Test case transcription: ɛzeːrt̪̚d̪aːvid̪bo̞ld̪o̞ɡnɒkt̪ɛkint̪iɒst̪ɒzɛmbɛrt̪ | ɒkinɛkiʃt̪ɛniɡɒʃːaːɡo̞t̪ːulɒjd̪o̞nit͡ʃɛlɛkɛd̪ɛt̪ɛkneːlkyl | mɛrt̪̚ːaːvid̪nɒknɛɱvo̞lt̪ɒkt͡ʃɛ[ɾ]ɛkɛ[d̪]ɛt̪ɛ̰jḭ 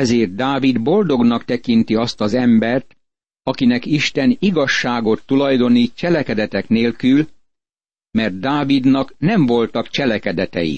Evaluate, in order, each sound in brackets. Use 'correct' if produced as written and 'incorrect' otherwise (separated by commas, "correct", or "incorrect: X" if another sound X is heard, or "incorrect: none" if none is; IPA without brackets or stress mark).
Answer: incorrect: l, correct